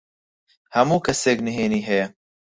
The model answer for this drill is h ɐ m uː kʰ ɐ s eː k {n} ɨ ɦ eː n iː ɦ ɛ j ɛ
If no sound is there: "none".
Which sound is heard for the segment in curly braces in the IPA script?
n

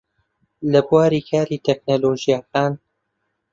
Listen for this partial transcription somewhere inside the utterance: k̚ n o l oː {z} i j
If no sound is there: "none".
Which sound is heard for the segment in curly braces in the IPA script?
ʒ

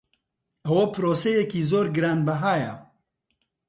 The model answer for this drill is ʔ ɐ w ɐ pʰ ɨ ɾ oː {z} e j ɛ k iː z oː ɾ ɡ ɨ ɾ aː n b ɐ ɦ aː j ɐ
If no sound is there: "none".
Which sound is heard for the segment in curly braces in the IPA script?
s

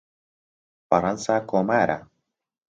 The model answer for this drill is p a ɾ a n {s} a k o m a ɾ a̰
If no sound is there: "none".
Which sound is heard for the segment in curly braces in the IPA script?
s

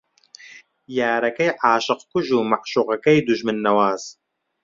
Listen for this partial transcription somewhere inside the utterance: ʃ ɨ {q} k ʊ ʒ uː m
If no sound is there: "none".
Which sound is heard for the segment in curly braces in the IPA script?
q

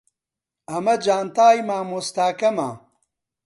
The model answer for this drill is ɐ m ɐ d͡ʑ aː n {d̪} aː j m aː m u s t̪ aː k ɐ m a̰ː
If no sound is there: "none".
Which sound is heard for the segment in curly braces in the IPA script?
t̪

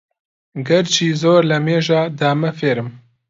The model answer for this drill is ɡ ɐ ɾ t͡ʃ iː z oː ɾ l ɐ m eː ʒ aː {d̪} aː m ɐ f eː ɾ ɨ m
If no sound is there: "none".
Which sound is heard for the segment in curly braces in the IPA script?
d̪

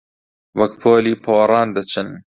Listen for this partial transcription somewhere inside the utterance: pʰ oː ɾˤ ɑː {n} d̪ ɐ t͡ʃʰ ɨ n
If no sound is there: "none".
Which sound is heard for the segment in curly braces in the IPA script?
n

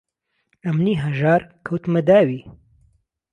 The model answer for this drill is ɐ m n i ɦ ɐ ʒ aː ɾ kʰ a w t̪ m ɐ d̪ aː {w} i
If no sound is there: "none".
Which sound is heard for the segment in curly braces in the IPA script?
w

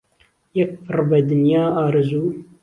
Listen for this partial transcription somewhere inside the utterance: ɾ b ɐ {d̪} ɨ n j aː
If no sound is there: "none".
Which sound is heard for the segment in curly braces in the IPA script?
d̪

